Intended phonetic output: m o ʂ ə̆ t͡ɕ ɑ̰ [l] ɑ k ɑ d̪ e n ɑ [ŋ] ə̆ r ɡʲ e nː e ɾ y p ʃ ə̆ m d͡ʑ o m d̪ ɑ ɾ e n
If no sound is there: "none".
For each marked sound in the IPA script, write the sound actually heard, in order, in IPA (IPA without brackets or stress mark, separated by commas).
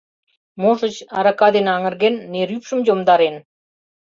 ɾ, ŋ